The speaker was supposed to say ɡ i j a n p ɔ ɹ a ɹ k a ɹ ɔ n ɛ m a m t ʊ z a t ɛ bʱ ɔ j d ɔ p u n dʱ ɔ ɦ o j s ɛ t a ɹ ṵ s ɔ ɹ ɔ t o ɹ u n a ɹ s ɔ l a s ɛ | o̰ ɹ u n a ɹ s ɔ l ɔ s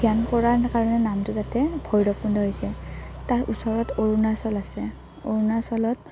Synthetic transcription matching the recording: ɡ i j a n k ɔ ɹ a ɹ k a ɹ ɔ n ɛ n a m t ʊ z a t ɛ bʱ ɔ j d ɔ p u n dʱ ɔ ɦ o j s ɛ t a ɹ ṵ s ɔ ɹ ɔ t o ɹ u n a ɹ s ɔ l a s ɛ | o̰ ɹ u n a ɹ s ɔ l ɔ t